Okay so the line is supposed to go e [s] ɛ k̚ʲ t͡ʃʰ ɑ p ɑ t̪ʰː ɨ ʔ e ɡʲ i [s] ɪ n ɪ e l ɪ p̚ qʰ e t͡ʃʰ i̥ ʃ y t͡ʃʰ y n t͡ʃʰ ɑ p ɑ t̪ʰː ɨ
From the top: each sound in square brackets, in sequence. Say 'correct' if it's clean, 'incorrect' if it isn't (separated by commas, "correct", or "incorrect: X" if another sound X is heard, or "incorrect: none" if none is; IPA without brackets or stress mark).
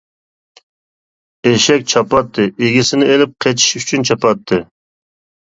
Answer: incorrect: ʃ, correct